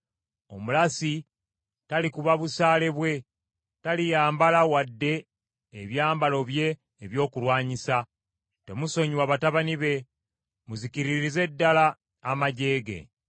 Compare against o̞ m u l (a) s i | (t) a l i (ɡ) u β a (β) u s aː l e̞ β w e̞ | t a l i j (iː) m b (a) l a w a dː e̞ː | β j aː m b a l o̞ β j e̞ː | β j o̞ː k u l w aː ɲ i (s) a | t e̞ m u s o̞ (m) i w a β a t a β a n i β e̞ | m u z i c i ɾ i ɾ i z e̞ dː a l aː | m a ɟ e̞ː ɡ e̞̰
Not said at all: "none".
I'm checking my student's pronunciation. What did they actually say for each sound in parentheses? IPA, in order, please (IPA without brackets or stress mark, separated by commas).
a, t, k, β, aː, a, s, ɲ